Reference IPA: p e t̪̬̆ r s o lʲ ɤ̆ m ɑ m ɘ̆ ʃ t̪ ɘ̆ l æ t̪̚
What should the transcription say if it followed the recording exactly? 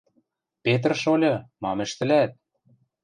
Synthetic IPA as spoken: p e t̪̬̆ r ʃ o lʲ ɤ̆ m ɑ m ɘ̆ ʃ t̪ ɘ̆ l æ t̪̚